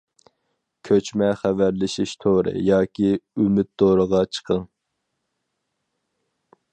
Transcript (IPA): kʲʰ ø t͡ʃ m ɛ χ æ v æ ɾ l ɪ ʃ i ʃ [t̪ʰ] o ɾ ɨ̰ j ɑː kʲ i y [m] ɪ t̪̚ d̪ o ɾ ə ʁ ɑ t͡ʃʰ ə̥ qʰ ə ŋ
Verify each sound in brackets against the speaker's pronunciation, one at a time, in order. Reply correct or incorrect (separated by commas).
correct, correct